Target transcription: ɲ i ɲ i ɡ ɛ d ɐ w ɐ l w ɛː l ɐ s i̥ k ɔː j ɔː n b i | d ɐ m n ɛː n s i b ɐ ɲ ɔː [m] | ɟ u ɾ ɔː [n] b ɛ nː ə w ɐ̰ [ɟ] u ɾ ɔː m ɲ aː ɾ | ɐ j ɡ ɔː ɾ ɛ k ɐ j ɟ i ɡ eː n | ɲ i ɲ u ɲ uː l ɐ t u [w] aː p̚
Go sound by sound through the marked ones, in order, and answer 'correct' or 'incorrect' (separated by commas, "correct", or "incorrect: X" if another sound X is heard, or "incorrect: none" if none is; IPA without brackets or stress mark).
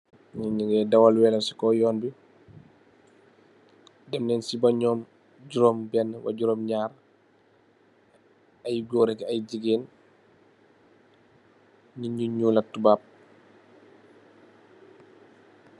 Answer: correct, incorrect: m, correct, incorrect: b